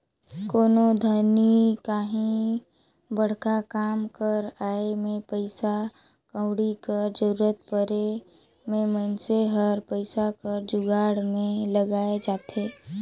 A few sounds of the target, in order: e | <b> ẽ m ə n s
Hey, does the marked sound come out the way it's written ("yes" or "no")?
no